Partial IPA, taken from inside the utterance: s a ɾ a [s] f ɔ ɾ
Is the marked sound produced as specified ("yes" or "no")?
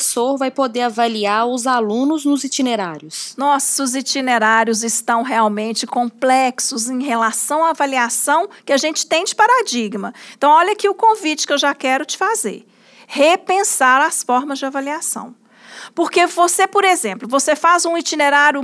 yes